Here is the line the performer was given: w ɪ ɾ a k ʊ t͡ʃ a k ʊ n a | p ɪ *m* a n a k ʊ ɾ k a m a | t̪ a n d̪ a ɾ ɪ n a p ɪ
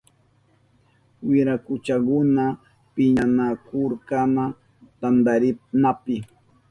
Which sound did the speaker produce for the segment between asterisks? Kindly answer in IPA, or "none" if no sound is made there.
ɲ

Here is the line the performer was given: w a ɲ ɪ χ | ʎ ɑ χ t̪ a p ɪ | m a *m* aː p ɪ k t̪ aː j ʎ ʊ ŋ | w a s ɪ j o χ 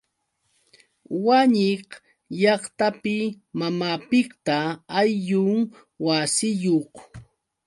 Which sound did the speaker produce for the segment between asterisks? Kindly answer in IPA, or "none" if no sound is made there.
m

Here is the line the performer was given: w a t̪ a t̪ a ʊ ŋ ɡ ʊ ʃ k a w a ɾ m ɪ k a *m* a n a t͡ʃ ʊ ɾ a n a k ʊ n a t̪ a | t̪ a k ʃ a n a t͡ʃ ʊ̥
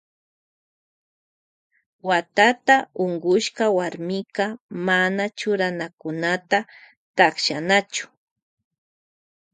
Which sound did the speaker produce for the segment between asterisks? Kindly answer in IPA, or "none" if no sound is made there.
m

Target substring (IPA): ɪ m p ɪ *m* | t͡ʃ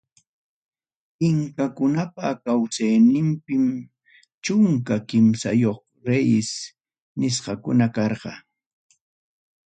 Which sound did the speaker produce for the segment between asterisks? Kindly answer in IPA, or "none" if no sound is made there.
m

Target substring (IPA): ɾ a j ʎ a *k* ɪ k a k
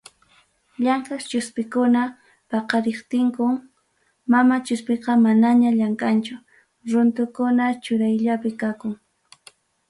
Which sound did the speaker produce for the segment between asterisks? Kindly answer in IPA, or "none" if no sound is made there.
p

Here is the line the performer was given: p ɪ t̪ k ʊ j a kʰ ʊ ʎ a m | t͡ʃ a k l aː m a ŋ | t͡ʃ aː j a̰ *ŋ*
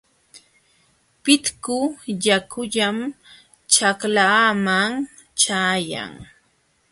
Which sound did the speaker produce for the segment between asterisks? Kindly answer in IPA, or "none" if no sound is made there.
ŋ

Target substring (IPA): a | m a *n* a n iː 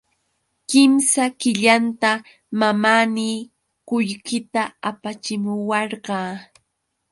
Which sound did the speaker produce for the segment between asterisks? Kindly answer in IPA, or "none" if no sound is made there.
m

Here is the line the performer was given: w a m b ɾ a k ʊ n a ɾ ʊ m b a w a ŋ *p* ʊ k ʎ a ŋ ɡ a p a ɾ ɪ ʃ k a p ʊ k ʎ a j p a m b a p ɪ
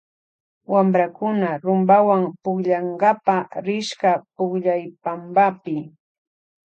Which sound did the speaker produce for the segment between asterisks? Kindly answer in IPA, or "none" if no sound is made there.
p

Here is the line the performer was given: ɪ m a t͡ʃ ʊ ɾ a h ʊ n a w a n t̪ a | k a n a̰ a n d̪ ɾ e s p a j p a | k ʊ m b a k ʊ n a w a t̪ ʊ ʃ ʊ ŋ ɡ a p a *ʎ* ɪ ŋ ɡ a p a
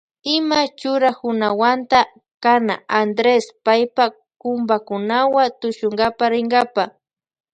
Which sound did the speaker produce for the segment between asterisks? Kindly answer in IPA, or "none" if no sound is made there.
ɾ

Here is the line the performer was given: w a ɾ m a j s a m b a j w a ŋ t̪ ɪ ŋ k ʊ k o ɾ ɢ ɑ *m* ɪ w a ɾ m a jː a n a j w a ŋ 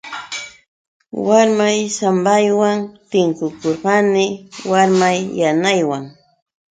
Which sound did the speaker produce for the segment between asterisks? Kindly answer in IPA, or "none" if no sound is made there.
n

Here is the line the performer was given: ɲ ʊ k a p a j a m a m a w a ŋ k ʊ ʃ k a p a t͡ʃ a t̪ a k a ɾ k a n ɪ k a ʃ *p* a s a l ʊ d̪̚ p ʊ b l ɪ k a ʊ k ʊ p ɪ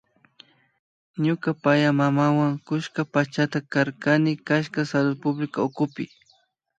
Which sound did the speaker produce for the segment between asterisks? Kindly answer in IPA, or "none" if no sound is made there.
k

